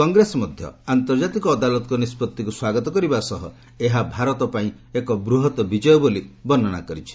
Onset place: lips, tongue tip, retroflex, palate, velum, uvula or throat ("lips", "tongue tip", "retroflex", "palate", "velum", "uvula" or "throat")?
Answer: velum